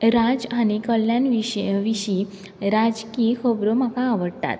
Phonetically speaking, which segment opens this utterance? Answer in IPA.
ɾ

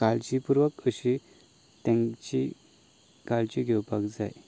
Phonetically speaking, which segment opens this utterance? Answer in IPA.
k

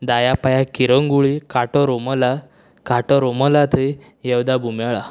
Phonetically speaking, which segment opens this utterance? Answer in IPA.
d̪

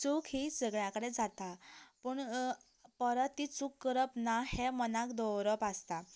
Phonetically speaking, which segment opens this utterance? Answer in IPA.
t͡s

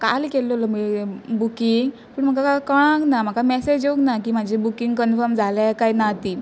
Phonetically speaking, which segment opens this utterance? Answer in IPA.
k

